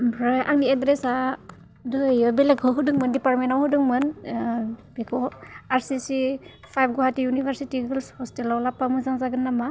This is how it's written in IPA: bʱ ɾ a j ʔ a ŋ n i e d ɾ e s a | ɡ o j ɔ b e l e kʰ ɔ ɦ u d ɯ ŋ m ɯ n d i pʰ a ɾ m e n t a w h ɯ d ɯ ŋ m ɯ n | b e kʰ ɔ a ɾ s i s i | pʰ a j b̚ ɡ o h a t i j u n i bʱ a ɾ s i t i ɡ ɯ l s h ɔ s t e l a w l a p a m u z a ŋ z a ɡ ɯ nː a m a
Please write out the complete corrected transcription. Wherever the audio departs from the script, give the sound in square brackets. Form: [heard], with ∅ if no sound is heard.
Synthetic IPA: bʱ ɾ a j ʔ a ŋ n i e d ɾ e s a | [d] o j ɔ b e l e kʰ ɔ ɦ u d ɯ ŋ m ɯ n d i [p] a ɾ m e n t a w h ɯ d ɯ ŋ m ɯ n | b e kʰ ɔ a ɾ s i s i | pʰ a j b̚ ɡ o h a t i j u n i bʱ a ɾ s i t i ɡ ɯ l s h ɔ s t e l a w l a p a m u z a ŋ z a ɡ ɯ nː a m a